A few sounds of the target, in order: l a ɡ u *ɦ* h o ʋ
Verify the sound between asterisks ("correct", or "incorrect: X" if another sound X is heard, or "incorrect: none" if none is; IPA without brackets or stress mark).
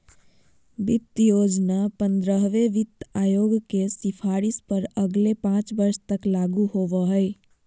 incorrect: none